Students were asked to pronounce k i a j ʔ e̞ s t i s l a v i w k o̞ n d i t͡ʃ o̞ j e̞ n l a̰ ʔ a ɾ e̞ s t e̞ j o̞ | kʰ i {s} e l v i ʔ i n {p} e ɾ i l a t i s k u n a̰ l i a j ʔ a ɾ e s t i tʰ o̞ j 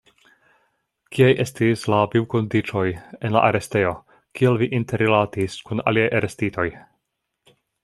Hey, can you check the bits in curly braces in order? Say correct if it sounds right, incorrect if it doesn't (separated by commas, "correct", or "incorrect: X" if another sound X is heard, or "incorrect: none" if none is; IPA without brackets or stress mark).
incorrect: none, incorrect: t